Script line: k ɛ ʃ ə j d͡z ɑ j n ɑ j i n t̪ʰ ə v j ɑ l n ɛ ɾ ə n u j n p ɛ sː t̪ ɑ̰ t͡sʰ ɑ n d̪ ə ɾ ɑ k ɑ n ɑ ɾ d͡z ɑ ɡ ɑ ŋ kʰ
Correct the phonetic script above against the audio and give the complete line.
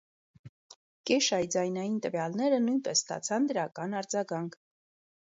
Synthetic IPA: k ɛ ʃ ɑ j d͡z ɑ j n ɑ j i n t̪ ə v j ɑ l n ɛ ɾ ə n u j n p ɛ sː t̪ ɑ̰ t͡sʰ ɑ n d̪ ə ɾ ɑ k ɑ n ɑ ɾ d͡z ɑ ɡ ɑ ŋ kʰ